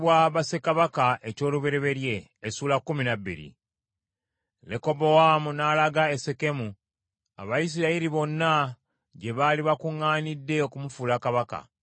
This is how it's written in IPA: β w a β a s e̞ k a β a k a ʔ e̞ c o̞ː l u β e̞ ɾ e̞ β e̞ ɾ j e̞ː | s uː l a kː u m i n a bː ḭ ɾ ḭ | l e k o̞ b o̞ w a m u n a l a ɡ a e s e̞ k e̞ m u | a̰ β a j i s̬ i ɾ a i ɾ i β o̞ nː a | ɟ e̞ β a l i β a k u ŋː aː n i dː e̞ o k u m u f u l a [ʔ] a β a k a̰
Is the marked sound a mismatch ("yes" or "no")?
yes